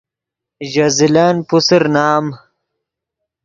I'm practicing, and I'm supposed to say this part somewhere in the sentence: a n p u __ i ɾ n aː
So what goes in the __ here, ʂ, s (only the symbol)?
s